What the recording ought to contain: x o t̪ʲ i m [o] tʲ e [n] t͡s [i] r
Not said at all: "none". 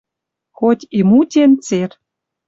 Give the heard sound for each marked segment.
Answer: u, n, e

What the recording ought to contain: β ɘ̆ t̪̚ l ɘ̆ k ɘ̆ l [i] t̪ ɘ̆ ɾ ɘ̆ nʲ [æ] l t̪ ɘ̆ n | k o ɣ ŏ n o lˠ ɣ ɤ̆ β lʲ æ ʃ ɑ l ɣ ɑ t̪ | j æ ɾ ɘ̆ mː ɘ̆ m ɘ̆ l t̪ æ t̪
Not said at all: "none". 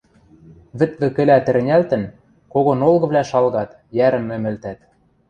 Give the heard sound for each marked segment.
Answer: æ, æ

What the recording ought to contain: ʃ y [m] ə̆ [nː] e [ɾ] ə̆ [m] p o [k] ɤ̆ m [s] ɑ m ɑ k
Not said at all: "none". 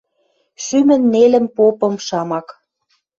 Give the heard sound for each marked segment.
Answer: m, nː, l, m, p, ʃ

